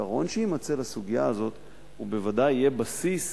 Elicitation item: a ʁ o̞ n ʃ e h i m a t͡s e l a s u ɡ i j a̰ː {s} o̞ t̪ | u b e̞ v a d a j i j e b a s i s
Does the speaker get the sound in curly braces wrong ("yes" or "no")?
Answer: yes